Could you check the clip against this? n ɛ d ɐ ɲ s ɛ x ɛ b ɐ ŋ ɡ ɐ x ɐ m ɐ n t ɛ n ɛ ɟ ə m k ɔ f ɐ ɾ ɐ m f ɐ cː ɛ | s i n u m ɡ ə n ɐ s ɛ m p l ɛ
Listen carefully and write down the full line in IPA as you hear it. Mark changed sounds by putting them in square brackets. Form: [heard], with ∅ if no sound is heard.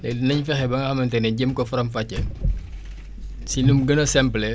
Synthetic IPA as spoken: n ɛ [n] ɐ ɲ [f] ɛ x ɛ b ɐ ŋ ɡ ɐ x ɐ m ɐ n t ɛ n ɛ ɟ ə m k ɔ f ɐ ɾ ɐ m f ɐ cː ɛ | s i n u m ɡ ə n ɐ s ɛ m p l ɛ